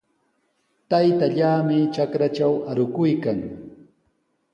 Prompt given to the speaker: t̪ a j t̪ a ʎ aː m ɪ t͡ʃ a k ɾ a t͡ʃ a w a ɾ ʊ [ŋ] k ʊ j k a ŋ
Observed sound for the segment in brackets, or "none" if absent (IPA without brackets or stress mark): none